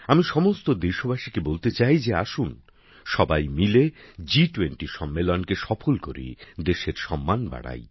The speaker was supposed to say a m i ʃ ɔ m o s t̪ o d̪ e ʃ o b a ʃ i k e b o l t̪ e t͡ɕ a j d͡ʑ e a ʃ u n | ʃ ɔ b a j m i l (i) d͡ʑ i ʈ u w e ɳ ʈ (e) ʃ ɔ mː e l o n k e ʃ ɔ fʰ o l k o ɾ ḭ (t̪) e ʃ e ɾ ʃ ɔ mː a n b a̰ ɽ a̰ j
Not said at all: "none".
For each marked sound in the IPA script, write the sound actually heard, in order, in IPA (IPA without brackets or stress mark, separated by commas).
e, i, d̪